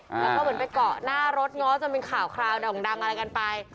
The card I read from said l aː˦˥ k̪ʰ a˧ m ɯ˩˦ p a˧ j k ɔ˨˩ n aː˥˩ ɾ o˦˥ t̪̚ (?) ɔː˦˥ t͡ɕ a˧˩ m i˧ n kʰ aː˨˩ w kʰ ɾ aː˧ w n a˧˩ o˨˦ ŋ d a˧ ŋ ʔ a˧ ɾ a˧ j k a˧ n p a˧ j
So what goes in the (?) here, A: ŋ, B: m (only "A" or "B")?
A